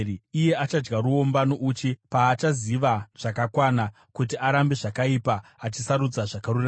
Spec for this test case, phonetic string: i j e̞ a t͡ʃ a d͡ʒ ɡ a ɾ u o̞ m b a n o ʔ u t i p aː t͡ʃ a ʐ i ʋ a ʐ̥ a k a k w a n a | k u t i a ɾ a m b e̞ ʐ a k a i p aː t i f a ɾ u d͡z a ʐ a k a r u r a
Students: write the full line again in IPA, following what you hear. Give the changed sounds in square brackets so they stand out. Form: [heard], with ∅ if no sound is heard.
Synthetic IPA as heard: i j e̞ a t͡ʃ a d͡ʒ ɡ a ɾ u o̞ m b a n o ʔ u [t͡ʃ] i p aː t͡ʃ a [z] i ʋ a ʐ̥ a k a k w a n a | k u t i a ɾ a m b e̞ ʐ a k a i p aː [t͡ʃ] i [s] a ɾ u d͡z a ʐ a k a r u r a